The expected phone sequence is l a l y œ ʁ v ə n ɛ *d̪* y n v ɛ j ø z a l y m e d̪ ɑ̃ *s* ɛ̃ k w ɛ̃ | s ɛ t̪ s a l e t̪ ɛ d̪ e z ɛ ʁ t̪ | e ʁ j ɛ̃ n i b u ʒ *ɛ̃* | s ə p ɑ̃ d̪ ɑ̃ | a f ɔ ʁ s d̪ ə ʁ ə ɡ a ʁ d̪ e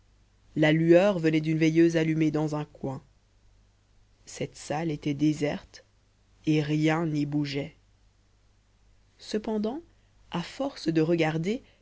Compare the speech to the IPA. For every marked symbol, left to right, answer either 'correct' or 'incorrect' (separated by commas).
correct, incorrect, incorrect